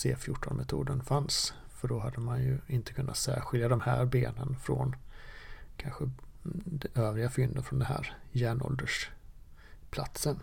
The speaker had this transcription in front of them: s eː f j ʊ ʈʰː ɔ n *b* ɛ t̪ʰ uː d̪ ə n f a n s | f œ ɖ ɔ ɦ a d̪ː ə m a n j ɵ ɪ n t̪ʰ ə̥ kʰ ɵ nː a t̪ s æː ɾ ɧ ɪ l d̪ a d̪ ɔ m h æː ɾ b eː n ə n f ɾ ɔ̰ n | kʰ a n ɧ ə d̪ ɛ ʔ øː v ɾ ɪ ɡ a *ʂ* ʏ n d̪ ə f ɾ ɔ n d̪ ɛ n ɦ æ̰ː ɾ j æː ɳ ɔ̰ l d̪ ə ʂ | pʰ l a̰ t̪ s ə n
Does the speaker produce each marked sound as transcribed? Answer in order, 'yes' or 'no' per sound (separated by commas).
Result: no, no